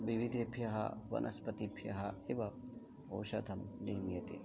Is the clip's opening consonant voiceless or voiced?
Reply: voiced